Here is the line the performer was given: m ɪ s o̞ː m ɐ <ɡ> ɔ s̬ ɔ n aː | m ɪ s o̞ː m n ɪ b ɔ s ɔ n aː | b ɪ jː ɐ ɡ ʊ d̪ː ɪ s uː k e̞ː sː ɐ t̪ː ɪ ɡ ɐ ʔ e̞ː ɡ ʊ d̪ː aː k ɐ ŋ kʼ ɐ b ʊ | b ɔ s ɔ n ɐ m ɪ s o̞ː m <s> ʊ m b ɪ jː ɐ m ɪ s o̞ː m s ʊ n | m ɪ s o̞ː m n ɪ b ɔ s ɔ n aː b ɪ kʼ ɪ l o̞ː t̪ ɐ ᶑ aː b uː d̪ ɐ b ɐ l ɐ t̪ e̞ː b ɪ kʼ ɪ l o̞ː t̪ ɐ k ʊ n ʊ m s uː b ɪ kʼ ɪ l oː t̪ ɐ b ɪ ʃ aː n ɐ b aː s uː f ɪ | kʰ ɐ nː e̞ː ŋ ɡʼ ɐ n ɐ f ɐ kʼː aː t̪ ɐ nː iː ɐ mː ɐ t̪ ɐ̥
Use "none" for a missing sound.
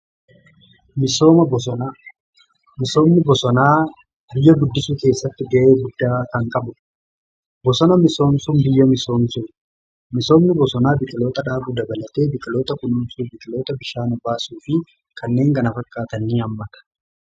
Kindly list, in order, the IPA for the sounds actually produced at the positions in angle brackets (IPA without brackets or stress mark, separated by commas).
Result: b, s